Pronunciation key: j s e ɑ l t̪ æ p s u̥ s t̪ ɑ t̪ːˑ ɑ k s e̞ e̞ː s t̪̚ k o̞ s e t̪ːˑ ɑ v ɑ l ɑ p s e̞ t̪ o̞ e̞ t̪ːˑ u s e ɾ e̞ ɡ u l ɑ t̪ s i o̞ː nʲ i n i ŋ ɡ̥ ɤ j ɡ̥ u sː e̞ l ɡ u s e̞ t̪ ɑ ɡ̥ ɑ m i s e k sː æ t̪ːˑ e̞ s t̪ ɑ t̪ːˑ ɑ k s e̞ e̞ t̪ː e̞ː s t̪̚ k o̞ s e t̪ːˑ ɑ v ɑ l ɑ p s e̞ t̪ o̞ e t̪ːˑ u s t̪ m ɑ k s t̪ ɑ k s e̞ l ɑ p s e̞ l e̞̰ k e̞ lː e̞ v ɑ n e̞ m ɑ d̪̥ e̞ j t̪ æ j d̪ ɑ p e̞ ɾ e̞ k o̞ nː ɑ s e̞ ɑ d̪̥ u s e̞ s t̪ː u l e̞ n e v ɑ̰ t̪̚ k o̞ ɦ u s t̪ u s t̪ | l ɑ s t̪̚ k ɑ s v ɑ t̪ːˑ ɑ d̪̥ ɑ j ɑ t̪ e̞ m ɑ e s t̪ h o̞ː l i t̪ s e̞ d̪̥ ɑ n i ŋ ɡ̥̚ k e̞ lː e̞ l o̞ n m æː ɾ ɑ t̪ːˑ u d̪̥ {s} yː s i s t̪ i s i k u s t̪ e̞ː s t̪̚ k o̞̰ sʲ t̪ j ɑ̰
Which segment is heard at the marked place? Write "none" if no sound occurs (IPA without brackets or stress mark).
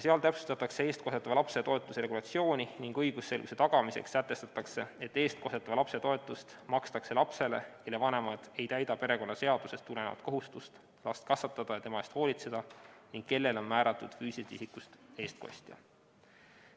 f